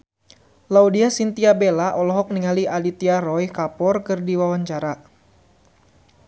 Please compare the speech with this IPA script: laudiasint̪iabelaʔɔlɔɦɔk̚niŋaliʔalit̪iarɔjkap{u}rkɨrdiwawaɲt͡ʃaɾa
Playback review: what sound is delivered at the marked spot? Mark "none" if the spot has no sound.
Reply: ɔ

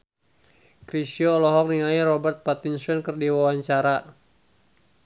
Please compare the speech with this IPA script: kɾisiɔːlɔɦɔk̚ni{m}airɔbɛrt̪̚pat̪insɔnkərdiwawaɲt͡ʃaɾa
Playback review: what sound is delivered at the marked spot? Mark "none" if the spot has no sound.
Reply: ŋ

